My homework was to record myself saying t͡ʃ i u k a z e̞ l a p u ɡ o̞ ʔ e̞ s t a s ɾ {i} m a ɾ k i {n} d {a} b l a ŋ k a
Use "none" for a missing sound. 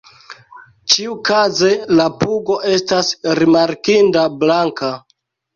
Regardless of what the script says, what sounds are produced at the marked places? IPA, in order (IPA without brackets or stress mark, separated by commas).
i, n, a